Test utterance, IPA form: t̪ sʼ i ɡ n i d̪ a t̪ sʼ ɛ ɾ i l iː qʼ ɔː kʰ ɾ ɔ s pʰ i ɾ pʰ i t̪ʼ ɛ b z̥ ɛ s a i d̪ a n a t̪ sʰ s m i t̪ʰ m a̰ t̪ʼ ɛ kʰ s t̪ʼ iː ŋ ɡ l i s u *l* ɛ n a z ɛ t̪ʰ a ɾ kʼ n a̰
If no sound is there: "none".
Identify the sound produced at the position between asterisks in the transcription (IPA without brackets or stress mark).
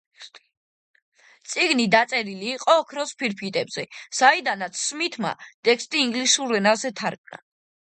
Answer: ɾ